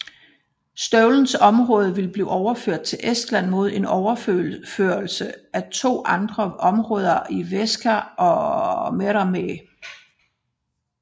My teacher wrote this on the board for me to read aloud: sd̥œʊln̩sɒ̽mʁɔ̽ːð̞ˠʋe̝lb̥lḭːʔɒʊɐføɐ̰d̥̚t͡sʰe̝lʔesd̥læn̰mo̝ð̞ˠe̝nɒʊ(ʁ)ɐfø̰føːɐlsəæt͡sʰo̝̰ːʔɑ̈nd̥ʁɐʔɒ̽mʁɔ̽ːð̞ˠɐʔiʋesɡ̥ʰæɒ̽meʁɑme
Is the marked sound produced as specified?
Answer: no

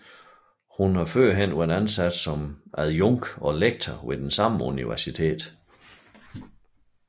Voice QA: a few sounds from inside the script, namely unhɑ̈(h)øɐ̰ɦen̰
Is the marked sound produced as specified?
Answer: no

